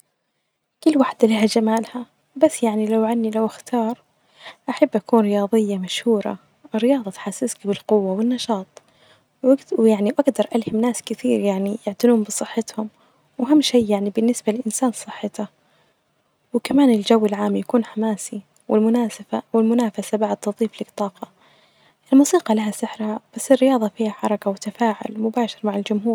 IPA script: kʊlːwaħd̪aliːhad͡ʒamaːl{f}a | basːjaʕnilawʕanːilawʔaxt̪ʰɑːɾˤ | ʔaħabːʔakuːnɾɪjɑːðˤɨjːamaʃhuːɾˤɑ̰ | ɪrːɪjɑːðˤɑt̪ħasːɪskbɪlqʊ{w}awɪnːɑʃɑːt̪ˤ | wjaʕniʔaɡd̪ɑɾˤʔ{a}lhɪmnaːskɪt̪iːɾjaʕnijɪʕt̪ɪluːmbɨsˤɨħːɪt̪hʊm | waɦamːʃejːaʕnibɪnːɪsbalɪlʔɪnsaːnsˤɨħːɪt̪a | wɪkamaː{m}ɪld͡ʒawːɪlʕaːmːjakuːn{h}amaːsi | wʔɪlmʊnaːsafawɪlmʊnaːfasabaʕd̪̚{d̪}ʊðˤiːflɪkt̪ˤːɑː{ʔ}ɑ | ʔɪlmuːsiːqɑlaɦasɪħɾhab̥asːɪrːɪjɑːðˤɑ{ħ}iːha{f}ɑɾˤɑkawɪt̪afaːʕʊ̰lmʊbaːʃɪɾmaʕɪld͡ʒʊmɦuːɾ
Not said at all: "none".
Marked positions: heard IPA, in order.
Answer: h, wː, a, n, ħ, t̪, q, f, ħ

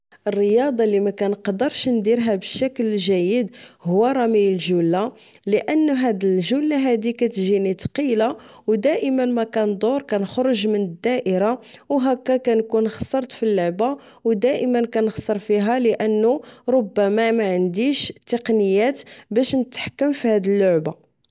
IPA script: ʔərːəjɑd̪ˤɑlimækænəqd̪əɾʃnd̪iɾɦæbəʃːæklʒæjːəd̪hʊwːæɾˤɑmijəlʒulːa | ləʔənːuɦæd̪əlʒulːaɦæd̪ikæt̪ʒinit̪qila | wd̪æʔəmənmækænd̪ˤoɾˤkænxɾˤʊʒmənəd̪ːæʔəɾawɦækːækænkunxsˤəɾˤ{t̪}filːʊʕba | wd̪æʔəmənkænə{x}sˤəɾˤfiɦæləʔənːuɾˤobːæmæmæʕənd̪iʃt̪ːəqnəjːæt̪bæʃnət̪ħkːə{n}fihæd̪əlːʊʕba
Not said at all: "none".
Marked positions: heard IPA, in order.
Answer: t̪, x, m

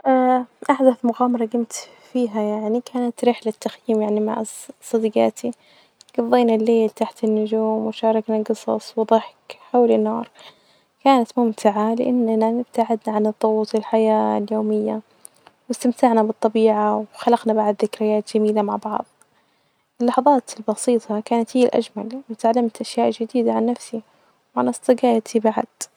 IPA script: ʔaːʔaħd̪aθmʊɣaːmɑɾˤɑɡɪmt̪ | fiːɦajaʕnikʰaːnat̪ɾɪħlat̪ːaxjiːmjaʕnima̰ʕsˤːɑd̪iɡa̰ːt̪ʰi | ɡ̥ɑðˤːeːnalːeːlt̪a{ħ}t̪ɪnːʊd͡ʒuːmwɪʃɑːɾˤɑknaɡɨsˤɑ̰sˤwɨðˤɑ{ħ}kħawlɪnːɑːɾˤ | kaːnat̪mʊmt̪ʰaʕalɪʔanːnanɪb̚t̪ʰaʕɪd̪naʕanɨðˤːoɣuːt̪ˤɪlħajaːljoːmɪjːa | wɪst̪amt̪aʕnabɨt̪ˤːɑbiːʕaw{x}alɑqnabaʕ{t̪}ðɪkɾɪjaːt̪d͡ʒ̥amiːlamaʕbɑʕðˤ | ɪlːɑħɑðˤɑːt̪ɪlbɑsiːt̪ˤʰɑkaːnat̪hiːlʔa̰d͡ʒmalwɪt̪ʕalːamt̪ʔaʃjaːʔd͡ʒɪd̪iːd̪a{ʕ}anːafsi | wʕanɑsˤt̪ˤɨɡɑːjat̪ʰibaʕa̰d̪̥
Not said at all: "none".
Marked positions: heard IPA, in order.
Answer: ħ, ħ, x, d̪, ʕ

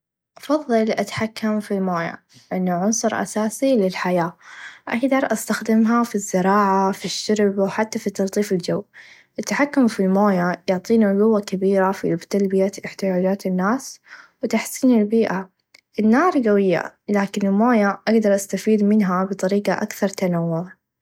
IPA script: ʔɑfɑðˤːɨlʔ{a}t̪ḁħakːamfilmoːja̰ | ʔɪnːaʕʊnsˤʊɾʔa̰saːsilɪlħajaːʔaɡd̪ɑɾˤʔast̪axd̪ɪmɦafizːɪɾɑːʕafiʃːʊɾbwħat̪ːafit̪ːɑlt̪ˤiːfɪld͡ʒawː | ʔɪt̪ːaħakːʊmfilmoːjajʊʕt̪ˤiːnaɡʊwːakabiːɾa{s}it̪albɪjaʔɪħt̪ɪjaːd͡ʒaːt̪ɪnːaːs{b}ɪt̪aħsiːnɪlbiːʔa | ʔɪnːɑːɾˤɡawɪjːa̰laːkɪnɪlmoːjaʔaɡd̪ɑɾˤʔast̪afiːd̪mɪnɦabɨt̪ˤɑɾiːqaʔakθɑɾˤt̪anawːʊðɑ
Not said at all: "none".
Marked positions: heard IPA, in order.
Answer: a, f, w

